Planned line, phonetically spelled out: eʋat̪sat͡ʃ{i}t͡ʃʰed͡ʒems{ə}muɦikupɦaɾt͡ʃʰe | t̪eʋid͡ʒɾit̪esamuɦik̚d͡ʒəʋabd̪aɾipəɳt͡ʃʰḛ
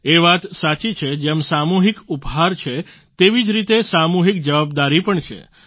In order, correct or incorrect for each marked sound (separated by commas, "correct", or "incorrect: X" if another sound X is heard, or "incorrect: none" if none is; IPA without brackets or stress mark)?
correct, incorrect: a